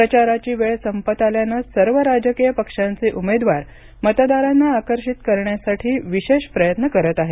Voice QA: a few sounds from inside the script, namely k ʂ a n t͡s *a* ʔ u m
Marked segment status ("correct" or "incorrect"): incorrect